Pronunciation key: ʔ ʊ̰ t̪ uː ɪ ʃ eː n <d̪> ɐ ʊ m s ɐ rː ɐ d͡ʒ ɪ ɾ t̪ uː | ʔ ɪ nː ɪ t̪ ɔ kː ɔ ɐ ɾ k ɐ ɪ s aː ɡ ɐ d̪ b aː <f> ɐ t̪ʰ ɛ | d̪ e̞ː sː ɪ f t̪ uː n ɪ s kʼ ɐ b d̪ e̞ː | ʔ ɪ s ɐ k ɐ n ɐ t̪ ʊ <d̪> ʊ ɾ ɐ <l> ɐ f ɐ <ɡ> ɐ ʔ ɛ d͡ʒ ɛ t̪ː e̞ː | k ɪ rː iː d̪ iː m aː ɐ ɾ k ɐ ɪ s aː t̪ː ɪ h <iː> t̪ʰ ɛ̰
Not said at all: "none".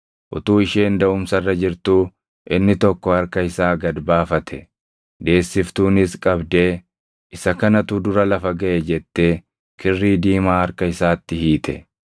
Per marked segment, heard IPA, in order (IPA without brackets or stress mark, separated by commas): d̪, f, d̪, l, ɡ, iː